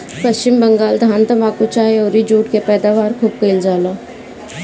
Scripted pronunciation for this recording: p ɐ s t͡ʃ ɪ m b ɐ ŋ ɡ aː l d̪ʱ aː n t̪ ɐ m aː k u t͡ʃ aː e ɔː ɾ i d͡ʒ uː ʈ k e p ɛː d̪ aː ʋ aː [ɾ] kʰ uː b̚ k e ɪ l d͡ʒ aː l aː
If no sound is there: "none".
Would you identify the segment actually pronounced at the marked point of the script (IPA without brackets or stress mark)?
ɾ